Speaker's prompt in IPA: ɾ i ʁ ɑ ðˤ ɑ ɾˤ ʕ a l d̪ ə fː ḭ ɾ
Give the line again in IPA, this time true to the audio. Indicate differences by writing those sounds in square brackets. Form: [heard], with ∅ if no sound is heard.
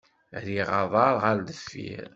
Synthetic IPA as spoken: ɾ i ʁ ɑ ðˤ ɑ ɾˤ [ʁ] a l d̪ ə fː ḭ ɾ